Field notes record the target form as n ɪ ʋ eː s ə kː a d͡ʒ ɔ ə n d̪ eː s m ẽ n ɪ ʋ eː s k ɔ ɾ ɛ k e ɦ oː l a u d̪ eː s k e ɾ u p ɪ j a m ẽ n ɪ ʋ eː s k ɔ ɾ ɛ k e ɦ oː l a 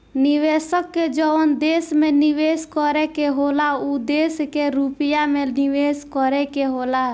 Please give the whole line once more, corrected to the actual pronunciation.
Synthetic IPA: n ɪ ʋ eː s ə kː e d͡ʒ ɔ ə n d̪ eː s m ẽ n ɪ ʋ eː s k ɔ ɾ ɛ k e ɦ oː l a u d̪ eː s k e ɾ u p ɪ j a m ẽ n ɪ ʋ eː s k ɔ ɾ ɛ k e ɦ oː l a